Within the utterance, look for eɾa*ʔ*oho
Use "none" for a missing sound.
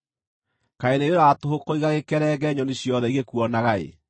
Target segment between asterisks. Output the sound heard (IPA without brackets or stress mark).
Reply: t